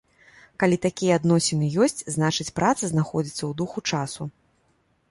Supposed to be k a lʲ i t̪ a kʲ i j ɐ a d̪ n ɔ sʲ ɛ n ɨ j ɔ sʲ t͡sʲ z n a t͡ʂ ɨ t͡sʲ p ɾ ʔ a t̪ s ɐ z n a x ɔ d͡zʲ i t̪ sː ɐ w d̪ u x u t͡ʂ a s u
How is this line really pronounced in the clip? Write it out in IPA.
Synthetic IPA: k a lʲ i t̪ a kʲ i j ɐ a d̪ n ɔ sʲ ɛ n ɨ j ɔ sʲ t͡sʲ z n a t͡ʂ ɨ t͡sʲ p ɾ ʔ a t̪ s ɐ z n a x ɔ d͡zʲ i t̪ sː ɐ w d̪ u x u t͡ʂ a s u